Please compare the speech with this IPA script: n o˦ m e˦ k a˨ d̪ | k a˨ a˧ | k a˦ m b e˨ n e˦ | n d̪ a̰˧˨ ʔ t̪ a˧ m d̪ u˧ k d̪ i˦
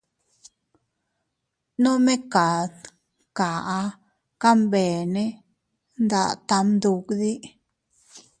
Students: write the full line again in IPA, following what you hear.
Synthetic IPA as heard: n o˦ m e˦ k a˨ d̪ | k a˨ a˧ | k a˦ m b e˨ n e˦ | n d̪ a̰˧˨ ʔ t̪ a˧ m d̪ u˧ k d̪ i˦